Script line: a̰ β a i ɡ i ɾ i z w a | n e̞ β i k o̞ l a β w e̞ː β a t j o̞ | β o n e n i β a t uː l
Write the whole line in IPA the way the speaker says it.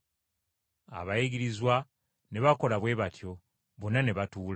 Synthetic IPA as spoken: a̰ β a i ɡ i ɾ i z w a | n e̞ β a k o̞ l a β w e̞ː β a t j o̞ | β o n a n e β a t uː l

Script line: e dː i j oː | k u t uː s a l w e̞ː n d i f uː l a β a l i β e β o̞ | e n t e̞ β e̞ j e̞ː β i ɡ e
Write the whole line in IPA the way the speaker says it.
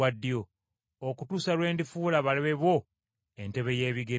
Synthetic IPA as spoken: a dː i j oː | k u t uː s a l w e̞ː n d i f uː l a β a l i β e β o̞ | e n t e̞ β e̞ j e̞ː β i ɡ e

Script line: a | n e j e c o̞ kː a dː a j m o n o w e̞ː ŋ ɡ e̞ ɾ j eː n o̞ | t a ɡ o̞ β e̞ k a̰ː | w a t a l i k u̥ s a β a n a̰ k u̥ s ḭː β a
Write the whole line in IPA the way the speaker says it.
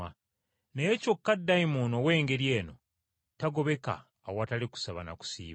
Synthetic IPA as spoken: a | n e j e c o̞ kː a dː a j m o n o w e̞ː ŋ ɡ e̞ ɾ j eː n o̞ | t a ɡ o̞ β e̞ k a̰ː | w a t a l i k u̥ s a β a n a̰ k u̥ s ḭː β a

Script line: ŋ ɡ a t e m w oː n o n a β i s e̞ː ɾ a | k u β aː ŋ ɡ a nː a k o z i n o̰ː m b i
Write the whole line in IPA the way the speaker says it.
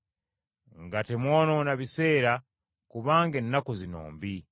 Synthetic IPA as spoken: ŋ ɡ a t e m w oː n o n a β i s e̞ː ɾ a | k u β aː ŋ ɡ e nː a k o z i n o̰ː m b i

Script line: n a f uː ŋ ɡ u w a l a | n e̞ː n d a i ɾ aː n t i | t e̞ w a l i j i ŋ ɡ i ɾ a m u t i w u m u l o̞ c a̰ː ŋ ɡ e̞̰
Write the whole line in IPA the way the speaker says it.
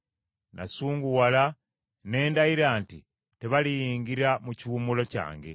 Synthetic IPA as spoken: n a s uː ŋ ɡ u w a l a | n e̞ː n d a i ɾ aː n t i | t e̞ β a l i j iː ŋ ɡ i ɾ a m u c i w u m u l o̞ c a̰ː ŋ ɡ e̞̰

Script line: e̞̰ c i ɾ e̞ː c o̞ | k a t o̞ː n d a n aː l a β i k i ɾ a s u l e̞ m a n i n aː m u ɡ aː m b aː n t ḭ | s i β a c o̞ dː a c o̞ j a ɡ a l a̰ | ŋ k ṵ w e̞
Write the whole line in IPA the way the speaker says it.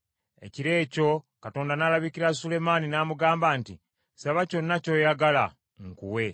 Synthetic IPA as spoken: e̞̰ c i ɾ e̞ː c o̞ | k a t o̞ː n d a n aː l a β i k i ɾ a s u l e̞ m a n i n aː m u ɡ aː m b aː n t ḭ | s a β a c o̞ nː a c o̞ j a ɡ a l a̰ | ŋ k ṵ w e̞

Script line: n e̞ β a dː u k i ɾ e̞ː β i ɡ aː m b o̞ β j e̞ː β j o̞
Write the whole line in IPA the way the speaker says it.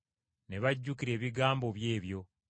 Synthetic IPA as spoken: n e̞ β a ɟː u k i ɾ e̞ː β i ɡ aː m b o̞ β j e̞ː β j o̞

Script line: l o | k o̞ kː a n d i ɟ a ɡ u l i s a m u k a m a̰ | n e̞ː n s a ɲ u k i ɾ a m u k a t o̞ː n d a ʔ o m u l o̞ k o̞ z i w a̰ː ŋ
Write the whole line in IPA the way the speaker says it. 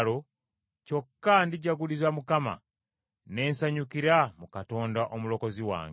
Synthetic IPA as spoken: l o | c o̞ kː a n d i ɟ a ɡ u l i z a m u k a m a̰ | n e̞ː n s a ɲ u k i ɾ a m u k a t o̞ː n d a ʔ o m u l o̞ k o̞ z i w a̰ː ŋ

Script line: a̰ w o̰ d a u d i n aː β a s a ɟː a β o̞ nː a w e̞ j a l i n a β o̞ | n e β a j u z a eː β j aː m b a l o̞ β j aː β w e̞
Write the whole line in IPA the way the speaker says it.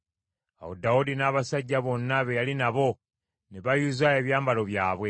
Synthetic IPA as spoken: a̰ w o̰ d a u d i n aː β a s a ɟː a β o̞ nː a β e̞ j a l i n a β o̞ | n e β a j u z a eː β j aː m b a l o̞ β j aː β w e̞

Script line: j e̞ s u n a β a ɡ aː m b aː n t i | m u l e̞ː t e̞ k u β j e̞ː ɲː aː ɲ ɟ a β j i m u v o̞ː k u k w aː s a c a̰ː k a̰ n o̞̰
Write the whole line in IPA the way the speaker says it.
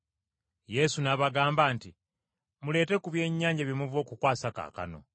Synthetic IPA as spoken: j e̞ s u n a β a ɡ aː m b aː n t i | m u l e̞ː t e̞ k u β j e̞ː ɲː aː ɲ ɟ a β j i m u v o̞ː k u k w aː s a k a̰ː k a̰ n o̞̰

